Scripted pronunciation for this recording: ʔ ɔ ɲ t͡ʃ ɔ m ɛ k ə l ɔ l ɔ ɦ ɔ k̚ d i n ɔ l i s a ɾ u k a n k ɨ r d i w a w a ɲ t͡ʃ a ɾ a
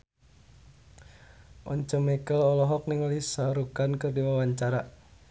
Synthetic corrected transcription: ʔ ɔ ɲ t͡ʃ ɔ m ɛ k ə l ɔ l ɔ ɦ ɔ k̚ n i ŋ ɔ l i s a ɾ u k a n k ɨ r d i w a w a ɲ t͡ʃ a ɾ a

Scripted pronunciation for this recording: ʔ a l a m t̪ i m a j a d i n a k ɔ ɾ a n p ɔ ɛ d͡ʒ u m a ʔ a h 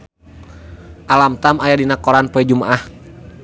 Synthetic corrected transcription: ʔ a l a m t̪ a m a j a d i n a k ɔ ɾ a n p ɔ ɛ d͡ʒ u m a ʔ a h

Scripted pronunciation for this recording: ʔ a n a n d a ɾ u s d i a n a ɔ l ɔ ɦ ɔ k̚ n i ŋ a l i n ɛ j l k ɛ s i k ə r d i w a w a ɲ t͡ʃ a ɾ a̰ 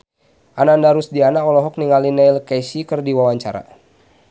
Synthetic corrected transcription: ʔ a n a n d a ɾ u s d i a n a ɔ l ɔ ɦ ɔ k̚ n i ŋ a l i n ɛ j l k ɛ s i k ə r d i w a w a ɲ t͡ʃ a ɾ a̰

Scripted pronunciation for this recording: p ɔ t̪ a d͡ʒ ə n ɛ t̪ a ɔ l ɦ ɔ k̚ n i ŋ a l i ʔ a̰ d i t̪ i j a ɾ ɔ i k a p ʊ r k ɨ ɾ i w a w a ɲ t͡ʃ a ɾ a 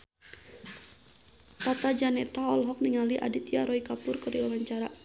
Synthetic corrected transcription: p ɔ t̪ a d͡ʒ a n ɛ t̪ a ɔ l ɦ ɔ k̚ n i ŋ a l i ʔ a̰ d i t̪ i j a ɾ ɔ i k a p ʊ r k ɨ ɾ i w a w a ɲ t͡ʃ a ɾ a

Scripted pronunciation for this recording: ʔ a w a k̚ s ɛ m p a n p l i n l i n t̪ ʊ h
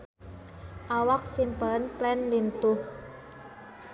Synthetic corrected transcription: ʔ a w a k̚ s i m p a n p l ɛ n l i n t̪ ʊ h

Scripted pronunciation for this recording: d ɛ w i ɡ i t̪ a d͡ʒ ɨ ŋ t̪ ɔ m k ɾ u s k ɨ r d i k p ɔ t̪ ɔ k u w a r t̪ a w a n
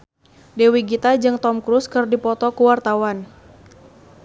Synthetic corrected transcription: d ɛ w i ɡ i t̪ a d͡ʒ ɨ ŋ t̪ ɔ m k ɾ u s k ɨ r d i p ɔ t̪ ɔ k u w a r t̪ a w a n

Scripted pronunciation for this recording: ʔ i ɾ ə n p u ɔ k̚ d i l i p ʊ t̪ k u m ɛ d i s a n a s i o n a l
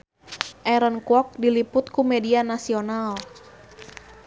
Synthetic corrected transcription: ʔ ɛ ɾ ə n k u ɔ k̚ d i l i p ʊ t̪ k u m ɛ d i a n a s i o n a l

